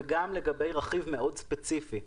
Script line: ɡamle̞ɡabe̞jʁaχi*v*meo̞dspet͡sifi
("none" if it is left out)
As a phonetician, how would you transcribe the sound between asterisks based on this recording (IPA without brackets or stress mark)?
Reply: v